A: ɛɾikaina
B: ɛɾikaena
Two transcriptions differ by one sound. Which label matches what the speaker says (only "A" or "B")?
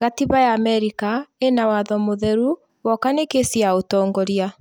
B